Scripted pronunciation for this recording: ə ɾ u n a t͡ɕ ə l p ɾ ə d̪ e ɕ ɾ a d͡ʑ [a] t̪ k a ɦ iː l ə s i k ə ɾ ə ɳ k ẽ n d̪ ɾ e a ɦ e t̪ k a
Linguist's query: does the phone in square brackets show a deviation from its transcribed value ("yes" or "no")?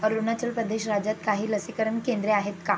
no